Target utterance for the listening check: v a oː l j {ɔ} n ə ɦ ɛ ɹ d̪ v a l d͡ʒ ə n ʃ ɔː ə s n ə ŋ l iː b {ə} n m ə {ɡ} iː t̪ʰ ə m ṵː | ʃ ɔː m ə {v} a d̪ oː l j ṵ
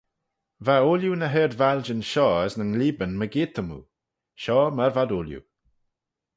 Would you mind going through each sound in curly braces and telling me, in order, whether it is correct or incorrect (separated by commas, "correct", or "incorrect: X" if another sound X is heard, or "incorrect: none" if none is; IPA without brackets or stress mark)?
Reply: incorrect: u, correct, correct, correct